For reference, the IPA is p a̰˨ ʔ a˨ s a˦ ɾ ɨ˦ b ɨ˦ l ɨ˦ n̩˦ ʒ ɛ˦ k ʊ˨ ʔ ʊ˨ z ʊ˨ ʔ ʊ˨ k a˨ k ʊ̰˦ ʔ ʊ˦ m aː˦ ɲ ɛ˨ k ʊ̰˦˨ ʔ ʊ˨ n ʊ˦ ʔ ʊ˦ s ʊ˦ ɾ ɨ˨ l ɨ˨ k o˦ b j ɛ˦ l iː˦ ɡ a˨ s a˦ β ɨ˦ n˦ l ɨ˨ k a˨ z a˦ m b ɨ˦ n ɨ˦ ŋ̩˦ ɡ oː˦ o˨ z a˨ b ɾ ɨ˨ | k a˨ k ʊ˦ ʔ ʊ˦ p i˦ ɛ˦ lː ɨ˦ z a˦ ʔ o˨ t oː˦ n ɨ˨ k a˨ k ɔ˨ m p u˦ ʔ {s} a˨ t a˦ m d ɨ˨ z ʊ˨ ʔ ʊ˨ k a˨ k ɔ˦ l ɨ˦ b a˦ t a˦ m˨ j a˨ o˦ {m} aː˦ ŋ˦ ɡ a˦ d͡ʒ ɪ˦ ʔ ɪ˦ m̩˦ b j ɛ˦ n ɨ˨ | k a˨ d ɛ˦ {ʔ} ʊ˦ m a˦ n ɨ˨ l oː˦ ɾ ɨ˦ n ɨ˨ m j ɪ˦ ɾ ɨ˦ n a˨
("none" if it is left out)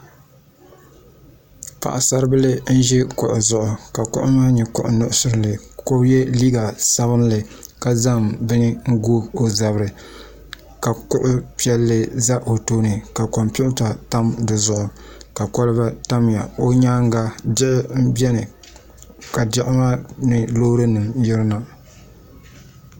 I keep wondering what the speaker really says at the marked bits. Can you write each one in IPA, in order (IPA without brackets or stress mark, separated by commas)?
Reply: t, ɲ, ʔ